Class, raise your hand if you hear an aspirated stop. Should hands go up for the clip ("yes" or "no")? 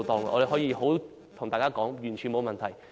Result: yes